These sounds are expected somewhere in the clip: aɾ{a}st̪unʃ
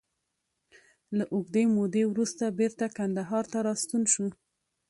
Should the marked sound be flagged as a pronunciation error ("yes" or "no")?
yes